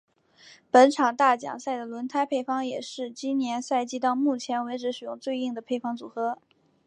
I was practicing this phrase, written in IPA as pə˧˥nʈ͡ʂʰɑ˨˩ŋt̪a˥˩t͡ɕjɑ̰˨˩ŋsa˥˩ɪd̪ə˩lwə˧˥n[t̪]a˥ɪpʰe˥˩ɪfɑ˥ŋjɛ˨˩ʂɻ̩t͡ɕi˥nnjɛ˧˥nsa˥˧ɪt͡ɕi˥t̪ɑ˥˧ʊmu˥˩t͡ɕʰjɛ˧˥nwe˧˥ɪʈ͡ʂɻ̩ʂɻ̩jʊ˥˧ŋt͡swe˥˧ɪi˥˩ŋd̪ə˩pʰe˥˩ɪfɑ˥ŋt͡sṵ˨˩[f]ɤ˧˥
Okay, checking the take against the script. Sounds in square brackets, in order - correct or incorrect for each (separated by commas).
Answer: incorrect, incorrect